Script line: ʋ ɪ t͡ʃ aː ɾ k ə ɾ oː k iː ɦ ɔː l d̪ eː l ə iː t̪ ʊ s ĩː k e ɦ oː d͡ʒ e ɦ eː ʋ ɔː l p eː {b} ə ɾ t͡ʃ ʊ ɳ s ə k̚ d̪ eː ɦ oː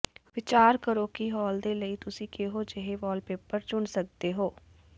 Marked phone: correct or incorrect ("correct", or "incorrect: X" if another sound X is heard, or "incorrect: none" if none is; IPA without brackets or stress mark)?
incorrect: p